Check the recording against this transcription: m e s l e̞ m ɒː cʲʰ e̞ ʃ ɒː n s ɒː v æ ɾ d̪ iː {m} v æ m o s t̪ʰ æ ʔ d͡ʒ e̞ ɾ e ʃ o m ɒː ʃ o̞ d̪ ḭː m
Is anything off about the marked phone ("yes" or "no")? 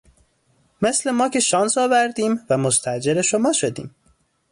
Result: no